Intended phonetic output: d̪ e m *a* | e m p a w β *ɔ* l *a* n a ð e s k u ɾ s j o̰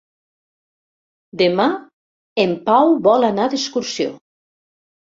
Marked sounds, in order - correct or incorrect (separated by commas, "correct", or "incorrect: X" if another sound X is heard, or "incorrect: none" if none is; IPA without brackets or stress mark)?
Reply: correct, correct, correct